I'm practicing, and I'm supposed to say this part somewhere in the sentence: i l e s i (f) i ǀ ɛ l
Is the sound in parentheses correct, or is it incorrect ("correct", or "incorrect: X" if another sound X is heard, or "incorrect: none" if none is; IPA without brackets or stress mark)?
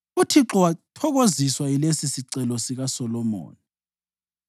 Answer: incorrect: s